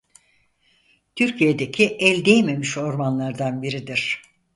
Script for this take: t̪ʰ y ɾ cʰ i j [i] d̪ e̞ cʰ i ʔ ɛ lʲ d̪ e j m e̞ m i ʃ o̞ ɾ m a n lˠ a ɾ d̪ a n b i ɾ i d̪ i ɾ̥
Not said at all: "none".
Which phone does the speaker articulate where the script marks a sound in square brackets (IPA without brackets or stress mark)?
e